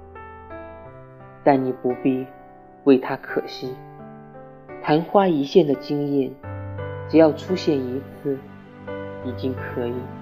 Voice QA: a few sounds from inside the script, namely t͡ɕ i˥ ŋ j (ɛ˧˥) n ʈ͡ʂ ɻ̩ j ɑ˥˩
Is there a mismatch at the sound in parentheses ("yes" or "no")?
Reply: yes